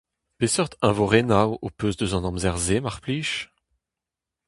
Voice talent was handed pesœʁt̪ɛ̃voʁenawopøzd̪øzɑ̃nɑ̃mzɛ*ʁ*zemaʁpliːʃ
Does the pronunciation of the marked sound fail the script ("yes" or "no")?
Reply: no